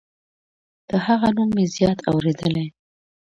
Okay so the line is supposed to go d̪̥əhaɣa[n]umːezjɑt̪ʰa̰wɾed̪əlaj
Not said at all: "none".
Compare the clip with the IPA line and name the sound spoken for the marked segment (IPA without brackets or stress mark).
n